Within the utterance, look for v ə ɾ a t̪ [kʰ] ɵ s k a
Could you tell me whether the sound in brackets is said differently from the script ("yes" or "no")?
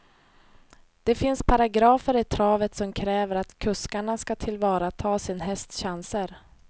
no